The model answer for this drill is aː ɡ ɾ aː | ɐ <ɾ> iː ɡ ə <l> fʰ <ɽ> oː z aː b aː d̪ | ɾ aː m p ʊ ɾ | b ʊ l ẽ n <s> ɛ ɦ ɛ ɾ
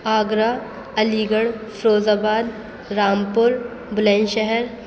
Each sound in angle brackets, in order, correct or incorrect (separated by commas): incorrect, incorrect, incorrect, incorrect